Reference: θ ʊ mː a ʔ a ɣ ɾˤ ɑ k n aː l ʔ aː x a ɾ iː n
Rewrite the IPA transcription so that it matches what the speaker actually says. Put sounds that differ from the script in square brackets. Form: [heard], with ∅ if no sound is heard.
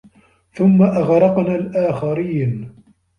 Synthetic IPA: θ ʊ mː a ʔ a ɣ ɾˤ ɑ [q] n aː l ʔ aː x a ɾ iː n